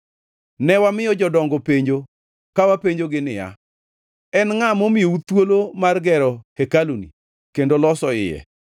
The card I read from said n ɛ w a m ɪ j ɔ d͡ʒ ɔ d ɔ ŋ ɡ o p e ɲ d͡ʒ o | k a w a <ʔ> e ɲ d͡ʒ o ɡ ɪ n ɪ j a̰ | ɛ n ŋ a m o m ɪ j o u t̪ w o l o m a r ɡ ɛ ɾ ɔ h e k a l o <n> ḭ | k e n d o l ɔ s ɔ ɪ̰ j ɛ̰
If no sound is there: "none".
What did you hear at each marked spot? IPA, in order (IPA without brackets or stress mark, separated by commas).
p, n